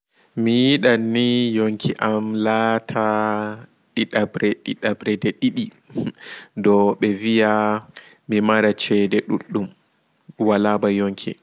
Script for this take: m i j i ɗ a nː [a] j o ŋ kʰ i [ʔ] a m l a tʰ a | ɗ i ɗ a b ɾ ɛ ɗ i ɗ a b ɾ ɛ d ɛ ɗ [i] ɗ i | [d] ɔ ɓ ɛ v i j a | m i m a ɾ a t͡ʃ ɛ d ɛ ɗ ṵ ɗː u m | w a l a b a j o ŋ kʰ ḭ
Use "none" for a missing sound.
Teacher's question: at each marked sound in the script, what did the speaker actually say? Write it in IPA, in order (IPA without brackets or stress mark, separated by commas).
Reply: i, ʔ, i, d